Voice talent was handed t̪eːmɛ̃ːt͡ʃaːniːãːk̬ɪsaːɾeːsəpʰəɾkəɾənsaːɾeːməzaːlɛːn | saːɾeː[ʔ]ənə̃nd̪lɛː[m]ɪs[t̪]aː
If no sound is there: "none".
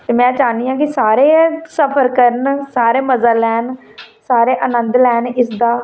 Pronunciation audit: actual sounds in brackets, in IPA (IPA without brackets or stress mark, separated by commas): ʔ, n, d̪